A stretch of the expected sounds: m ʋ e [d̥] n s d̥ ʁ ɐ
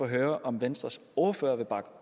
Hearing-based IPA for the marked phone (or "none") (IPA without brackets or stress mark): none